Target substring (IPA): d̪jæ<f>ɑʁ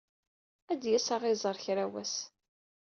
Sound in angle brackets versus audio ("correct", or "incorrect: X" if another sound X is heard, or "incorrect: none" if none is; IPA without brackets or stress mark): incorrect: s